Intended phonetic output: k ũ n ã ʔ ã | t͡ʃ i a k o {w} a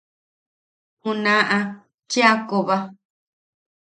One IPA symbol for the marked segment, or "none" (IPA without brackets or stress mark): β